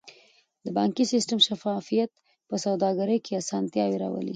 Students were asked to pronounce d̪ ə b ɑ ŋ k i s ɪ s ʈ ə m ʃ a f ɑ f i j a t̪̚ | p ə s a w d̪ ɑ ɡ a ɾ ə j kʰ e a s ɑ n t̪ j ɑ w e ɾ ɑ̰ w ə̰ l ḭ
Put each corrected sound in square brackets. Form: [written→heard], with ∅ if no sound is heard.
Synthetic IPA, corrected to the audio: d̪ ə b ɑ ŋ k i s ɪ s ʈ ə m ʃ a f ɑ f i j a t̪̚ | p ə s a w d̪ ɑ ɡ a ɾ ə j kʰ e a s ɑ n t̪ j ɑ w e ɾ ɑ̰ w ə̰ l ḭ